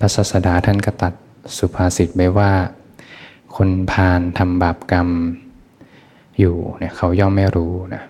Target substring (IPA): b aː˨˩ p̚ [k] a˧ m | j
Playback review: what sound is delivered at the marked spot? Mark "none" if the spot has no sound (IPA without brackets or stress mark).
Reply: k